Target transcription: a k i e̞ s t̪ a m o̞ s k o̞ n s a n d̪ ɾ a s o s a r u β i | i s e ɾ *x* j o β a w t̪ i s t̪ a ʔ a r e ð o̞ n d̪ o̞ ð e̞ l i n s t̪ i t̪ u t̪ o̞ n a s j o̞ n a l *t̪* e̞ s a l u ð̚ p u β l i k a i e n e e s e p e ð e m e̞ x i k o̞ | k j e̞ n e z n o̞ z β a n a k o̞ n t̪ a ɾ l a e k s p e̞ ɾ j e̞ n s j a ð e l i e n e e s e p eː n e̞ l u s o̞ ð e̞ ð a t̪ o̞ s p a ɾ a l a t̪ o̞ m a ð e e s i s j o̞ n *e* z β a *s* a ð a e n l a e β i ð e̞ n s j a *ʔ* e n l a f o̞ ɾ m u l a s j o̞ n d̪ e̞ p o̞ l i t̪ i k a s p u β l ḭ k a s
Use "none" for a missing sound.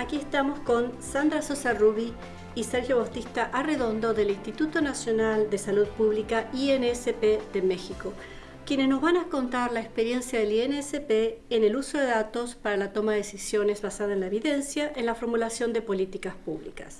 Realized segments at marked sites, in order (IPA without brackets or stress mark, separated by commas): x, d̪, e, s, ʔ